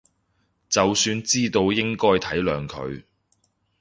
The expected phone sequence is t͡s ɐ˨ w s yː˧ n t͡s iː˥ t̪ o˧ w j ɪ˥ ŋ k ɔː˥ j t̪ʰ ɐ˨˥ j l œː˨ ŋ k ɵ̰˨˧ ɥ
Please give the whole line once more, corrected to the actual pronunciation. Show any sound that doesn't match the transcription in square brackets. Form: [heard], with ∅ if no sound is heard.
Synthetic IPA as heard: t͡s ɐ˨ w s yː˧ n t͡s iː˥ t̪ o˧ w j ɪ˥ ŋ k ɔː˥ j t̪ʰ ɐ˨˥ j l œː˨ ŋ [kʰ] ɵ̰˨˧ ɥ